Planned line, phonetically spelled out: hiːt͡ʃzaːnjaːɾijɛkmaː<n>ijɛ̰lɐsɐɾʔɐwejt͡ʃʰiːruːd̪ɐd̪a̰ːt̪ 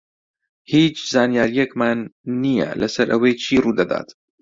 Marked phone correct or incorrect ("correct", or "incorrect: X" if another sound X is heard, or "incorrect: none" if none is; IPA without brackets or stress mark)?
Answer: incorrect: nː